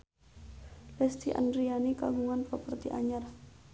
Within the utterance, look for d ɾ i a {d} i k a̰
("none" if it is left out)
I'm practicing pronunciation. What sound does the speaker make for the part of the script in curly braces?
n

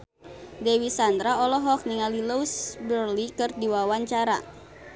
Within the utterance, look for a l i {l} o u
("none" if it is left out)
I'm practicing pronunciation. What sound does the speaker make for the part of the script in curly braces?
l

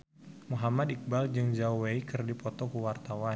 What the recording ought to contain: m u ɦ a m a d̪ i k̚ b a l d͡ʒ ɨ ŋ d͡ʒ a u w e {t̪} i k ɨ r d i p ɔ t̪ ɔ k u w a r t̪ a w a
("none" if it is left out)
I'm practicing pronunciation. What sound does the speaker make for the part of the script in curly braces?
none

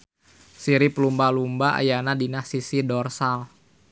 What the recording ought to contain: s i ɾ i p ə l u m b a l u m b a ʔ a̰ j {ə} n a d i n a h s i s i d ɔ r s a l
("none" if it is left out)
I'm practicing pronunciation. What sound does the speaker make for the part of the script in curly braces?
a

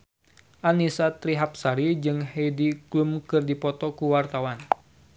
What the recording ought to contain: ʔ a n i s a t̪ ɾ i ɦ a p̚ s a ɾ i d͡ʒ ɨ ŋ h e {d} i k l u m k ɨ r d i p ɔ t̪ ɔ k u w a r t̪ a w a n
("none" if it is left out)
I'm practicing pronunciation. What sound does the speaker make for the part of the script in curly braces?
d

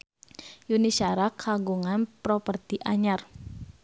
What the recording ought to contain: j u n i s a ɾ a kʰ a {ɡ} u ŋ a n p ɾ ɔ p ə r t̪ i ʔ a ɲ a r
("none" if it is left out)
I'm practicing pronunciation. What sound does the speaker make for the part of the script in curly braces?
ɡ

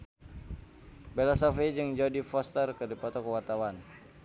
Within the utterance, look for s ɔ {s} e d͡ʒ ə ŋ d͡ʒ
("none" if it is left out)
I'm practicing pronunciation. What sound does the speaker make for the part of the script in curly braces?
f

